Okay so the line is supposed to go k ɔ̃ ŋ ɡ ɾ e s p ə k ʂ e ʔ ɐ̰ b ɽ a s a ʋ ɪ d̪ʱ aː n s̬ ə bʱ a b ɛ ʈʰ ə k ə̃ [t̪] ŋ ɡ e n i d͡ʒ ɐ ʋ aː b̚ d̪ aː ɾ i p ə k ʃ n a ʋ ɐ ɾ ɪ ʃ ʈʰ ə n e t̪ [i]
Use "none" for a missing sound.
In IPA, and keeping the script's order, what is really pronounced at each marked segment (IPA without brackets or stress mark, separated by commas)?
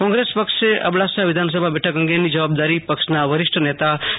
none, a